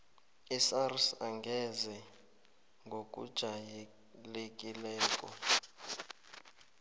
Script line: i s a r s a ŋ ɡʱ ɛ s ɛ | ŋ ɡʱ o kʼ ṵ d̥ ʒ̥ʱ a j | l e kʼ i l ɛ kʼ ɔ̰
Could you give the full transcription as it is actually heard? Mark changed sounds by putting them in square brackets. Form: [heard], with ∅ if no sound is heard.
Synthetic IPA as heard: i s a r s a ŋ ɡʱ ɛ [z] ɛ | ŋ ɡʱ o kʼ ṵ d̥ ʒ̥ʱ a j | l e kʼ i l [ɛː] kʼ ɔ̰